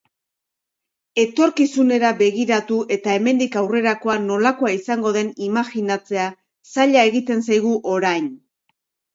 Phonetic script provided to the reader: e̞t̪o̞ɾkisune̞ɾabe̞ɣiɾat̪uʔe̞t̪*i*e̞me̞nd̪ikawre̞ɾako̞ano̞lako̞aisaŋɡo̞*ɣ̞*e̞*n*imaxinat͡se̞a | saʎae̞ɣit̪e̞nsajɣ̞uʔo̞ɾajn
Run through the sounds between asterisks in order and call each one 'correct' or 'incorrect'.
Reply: incorrect: a, incorrect: ð̞, correct

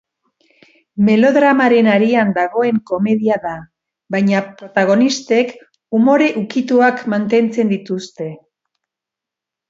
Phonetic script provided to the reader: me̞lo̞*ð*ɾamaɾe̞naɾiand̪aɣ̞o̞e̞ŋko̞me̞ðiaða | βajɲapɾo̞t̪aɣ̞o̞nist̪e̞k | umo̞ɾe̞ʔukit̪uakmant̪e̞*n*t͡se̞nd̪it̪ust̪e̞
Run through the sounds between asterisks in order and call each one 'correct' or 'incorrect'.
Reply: correct, correct

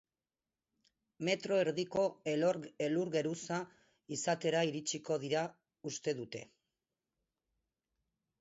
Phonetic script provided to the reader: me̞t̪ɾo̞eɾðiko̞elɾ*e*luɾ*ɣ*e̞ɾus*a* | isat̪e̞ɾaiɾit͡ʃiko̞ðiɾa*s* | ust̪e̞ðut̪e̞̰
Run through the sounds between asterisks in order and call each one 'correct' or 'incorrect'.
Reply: correct, correct, correct, incorrect: none

